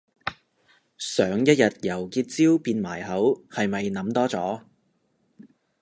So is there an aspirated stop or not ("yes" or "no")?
no